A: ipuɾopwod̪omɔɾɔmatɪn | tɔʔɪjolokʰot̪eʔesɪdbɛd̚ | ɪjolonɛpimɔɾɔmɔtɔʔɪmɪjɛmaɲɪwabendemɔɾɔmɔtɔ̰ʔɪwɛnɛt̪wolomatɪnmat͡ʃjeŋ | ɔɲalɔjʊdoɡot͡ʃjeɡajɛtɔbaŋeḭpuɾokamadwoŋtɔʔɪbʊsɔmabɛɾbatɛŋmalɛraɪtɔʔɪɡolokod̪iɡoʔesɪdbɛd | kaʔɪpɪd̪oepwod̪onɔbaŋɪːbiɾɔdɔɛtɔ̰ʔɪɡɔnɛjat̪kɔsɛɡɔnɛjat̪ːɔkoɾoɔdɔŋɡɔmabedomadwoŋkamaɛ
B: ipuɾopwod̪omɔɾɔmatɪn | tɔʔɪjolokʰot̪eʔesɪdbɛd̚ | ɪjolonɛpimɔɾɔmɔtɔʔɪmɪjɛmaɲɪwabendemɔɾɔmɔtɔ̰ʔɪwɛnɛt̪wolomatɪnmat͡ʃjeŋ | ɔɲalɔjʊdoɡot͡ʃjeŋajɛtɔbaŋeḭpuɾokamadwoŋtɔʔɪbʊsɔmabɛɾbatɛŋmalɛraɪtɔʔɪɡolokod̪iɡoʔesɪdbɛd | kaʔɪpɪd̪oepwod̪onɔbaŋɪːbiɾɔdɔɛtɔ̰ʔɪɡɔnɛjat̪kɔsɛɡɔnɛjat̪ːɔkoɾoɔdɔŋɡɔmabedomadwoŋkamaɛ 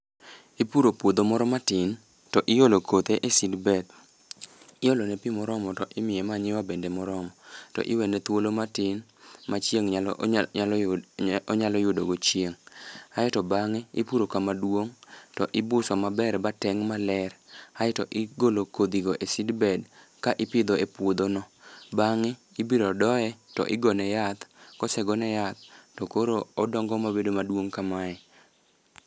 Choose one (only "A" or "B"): B